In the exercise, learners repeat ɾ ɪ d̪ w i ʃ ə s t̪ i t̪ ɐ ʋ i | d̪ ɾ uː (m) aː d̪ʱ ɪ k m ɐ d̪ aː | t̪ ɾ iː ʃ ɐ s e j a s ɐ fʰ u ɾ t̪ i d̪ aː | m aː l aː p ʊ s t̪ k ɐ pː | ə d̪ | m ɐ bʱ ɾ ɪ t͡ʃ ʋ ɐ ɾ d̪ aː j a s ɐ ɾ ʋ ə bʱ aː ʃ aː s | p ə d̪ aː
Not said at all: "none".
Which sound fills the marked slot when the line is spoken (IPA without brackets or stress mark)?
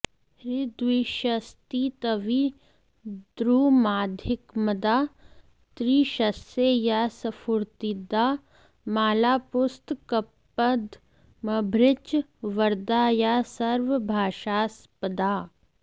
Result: m